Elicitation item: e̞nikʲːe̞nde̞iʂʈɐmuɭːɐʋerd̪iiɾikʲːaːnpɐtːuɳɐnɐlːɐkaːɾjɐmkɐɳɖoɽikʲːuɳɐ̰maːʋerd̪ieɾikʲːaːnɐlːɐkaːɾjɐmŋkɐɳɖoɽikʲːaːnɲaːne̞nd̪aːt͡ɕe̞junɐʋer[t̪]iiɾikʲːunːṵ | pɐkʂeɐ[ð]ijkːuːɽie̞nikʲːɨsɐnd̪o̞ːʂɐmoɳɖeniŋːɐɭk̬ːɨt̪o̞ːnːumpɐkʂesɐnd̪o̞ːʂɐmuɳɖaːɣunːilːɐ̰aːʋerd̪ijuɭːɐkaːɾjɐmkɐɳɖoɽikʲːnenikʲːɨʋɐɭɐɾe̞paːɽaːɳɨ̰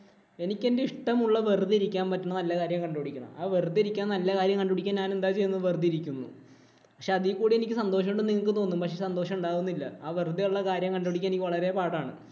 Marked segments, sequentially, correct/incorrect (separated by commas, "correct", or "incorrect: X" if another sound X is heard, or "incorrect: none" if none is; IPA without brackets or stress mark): incorrect: d̪, correct